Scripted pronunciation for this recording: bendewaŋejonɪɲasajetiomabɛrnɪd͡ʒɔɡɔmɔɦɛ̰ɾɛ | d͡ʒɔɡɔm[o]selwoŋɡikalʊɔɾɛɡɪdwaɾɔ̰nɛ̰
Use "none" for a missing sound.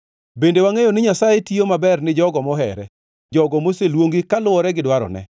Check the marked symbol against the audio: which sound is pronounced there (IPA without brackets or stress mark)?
o